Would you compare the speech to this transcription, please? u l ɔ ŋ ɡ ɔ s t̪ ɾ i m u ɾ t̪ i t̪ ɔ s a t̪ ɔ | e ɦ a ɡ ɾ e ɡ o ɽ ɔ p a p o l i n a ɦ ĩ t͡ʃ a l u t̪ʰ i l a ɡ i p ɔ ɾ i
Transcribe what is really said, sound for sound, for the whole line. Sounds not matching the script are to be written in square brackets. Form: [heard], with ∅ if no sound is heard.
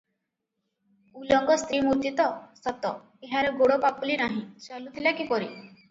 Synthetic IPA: u l ɔ ŋ ɡ ɔ s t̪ ɾ i m u ɾ t̪ i t̪ ɔ s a t̪ ɔ | e ɦ a [∅] ɾ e ɡ o ɽ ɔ p a p [u] l i n a ɦ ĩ t͡ʃ a l u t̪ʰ i l a [k] i p ɔ ɾ i